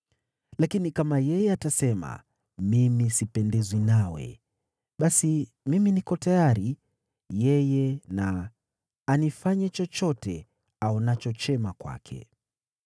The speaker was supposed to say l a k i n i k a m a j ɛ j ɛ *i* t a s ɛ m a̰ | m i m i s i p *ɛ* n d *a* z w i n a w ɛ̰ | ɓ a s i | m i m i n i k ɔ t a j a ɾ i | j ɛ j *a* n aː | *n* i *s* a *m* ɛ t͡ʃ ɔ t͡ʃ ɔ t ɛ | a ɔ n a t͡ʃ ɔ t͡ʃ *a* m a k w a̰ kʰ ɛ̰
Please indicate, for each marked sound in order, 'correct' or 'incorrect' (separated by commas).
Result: incorrect, correct, incorrect, incorrect, correct, incorrect, incorrect, incorrect